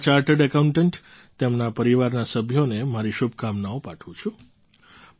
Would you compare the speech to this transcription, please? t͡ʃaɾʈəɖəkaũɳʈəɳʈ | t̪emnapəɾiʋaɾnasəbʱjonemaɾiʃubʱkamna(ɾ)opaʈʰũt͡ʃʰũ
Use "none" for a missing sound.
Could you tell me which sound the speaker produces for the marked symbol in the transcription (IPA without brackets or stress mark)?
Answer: none